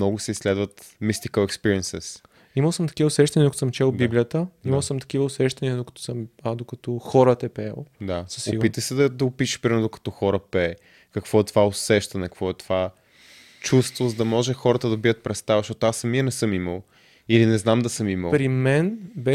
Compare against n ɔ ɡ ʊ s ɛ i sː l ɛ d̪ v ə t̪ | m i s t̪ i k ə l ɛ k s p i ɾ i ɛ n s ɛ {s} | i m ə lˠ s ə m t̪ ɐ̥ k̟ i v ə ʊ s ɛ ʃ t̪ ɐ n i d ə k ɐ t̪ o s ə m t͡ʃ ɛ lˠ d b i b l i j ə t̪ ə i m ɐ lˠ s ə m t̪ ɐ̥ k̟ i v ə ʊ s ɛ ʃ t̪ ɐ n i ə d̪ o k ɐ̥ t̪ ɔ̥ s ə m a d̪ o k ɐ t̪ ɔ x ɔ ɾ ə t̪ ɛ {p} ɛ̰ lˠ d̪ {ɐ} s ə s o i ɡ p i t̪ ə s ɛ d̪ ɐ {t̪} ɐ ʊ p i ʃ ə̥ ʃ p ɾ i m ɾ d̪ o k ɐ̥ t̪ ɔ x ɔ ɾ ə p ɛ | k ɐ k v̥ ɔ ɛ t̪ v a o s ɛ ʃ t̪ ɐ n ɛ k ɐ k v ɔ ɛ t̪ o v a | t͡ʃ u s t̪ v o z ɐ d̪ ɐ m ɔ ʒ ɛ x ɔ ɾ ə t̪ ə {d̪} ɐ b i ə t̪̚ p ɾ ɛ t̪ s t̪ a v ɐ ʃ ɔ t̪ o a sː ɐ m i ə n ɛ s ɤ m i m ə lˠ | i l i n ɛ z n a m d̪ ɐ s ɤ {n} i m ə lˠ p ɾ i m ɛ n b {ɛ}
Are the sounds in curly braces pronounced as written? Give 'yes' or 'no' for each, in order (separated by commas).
yes, yes, no, no, yes, no, yes